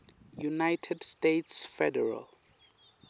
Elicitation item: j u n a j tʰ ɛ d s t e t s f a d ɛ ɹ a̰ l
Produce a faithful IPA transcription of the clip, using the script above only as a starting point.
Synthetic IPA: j u n a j tʰ ɛ d s t e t s f ɛ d ɛ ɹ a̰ l